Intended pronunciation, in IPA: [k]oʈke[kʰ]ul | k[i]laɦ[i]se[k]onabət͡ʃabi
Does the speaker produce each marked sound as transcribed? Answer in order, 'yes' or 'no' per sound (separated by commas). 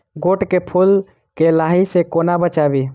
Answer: no, no, no, yes, yes